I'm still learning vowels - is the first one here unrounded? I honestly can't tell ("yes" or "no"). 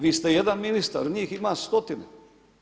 yes